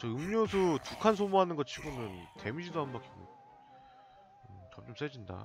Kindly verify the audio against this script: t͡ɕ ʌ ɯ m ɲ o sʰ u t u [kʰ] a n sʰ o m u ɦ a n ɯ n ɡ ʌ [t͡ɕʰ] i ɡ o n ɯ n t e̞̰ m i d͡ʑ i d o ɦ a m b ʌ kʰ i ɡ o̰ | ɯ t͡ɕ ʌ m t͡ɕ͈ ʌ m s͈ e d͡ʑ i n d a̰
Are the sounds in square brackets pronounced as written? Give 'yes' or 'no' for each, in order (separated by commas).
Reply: yes, yes